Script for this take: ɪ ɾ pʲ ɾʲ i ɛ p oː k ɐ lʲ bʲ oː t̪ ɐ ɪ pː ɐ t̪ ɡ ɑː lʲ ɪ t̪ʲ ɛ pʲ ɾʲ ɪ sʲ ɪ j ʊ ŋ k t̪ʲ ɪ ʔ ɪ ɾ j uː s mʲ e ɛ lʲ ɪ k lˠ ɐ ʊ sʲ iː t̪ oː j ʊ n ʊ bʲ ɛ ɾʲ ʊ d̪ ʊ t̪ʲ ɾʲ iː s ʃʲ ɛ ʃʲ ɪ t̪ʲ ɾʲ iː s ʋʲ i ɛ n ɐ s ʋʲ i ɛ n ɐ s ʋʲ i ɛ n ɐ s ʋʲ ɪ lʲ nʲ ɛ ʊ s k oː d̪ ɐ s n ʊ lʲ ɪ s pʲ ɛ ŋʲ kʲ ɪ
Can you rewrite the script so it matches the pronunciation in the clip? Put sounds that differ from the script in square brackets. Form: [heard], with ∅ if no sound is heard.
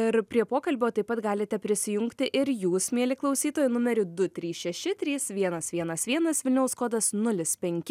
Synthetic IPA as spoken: ɪ ɾ pʲ ɾʲ i ɛ p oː k ɐ lʲ bʲ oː t̪ ɐ ɪ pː ɐ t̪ ɡ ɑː lʲ ɪ t̪ʲ ɛ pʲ ɾʲ ɪ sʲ ɪ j ʊ ŋ k t̪ʲ ɪ ʔ ɪ ɾ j uː s mʲ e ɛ lʲ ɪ k lˠ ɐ ʊ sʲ iː t̪ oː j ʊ n ʊ [mʲ] ɛ ɾʲ ʊ d̪ ʊ t̪ʲ ɾʲ iː s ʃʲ ɛ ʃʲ ɪ t̪ʲ ɾʲ iː s ʋʲ i ɛ n ɐ s ʋʲ i ɛ n ɐ s ʋʲ i ɛ n ɐ s ʋʲ ɪ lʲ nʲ ɛ ʊ s k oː d̪ ɐ s n ʊ lʲ ɪ s pʲ ɛ ŋʲ kʲ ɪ